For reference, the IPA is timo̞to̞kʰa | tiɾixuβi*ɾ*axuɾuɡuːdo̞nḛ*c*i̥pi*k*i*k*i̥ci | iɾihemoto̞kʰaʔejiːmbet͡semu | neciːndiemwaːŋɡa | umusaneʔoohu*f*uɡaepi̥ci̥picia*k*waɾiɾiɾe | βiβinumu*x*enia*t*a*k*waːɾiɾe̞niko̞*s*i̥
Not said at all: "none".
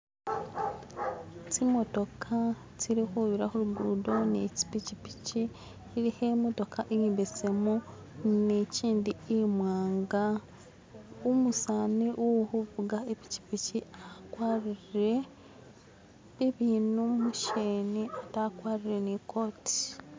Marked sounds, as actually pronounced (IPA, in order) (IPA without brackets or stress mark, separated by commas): ɾ, c, c, p, v, k, ʃ, t, k, t